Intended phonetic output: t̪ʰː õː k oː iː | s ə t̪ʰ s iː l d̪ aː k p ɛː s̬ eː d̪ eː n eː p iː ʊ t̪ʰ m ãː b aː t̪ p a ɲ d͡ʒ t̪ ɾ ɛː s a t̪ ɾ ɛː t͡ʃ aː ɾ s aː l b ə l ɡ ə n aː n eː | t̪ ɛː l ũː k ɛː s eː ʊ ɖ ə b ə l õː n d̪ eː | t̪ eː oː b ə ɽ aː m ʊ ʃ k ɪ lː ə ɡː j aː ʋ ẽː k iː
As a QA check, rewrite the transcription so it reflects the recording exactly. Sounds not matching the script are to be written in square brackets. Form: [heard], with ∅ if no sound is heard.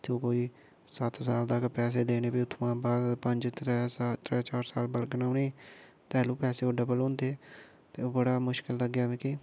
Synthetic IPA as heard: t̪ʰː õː k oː iː | s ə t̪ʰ s [aː] l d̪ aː k p ɛː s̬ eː d̪ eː n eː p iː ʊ t̪ʰ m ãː b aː [d̪] p [ə] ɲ d͡ʒ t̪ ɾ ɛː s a t̪ ɾ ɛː t͡ʃ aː ɾ s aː l b ə l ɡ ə n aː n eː | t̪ ɛː l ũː [p] ɛː s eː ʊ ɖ ə b ə l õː n d̪ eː | t̪ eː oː b ə ɽ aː m ʊ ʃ k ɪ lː ə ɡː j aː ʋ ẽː k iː